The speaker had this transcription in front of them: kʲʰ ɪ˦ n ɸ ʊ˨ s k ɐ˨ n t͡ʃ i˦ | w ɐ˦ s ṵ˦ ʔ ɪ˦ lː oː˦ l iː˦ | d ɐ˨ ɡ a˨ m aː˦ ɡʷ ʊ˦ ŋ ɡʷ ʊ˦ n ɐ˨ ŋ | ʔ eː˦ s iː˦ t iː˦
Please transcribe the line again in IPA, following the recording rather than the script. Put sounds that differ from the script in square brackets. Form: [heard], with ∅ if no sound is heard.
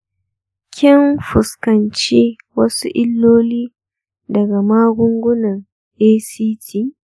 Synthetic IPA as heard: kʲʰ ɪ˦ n ɸ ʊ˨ s k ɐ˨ n t͡ʃ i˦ | w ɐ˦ s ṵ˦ ʔ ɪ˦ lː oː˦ l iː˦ | d ɐ˨ ɡ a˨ m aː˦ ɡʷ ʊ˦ ŋ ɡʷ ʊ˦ n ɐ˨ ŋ | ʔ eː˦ s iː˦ t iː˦

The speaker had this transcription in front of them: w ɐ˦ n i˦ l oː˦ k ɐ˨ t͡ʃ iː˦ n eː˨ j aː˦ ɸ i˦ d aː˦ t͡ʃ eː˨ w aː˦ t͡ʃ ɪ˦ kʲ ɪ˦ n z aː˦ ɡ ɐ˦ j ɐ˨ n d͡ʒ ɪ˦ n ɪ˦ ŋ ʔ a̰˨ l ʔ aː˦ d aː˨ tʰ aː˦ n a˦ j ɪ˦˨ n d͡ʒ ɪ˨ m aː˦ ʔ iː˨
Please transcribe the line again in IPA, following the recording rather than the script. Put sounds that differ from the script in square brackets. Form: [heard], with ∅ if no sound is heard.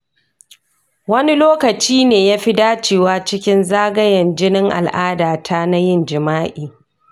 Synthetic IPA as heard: w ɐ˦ n i˦ l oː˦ k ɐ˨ t͡ʃ iː˦ n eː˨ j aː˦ ɸ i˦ d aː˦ t͡ʃ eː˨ w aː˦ t͡ʃ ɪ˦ kʲ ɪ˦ n z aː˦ ɡ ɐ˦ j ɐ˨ n d͡ʒ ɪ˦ n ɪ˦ ŋ ʔ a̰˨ l ʔ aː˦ d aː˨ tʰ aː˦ n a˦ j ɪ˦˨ n d͡ʒ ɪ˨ m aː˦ ʔ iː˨

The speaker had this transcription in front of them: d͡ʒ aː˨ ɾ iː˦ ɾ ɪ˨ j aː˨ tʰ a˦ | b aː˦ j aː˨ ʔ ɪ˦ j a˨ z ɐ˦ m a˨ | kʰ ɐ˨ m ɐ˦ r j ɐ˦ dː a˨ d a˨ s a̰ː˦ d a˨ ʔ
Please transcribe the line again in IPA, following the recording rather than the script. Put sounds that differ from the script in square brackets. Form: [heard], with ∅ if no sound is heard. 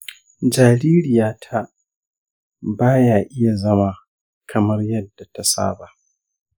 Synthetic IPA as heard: d͡ʒ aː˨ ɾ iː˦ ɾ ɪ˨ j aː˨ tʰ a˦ | b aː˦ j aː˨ ʔ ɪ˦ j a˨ z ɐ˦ m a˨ | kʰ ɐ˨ m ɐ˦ r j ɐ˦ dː a˨ [t] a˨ s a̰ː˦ [b] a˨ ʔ

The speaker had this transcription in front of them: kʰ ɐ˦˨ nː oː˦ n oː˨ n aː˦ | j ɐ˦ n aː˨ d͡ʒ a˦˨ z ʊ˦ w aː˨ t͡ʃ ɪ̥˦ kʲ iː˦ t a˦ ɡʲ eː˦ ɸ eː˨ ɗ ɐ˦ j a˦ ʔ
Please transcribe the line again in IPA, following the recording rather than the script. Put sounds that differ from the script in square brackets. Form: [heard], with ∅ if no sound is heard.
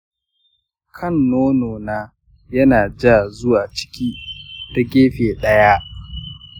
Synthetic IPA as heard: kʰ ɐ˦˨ nː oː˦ n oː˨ n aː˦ | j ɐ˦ n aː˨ d͡ʒ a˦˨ z ʊ˦ w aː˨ t͡ʃ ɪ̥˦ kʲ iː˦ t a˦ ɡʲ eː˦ ɸ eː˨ ɗ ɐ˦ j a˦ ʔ

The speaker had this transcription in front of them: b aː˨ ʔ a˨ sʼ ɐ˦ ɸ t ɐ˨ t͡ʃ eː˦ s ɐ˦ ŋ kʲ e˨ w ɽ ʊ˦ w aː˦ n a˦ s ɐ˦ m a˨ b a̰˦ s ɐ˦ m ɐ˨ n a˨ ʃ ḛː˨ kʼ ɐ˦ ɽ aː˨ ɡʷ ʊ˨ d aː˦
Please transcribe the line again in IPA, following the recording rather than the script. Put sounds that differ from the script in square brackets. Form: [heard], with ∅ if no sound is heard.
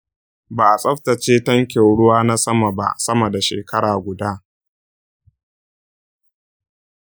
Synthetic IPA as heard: b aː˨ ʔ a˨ sʼ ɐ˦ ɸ t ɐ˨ t͡ʃ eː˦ [t] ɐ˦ ŋ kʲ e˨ w ɽ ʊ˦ w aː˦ n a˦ s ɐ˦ m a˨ b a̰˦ s ɐ˦ m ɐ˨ [d] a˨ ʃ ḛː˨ [k] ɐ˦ ɽ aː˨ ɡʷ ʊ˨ d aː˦

